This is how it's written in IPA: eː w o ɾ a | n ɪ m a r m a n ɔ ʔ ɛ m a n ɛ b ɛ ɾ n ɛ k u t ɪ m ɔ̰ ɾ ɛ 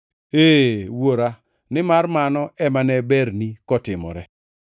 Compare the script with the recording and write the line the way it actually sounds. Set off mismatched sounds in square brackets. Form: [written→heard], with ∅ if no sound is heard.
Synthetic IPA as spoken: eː w o ɾ a | n ɪ m a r m a n ɔ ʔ ɛ m a n ɛ b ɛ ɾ n [ɛ→i] k [u→ɔ] t ɪ m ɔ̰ ɾ ɛ